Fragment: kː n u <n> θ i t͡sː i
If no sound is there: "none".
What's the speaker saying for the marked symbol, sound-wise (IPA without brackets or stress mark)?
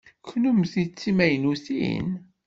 m